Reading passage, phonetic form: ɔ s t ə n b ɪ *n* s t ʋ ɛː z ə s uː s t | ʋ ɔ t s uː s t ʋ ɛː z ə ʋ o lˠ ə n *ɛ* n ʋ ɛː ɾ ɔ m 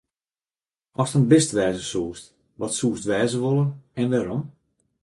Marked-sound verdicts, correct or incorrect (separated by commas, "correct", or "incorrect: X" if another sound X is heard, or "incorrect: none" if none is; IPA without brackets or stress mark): incorrect: none, correct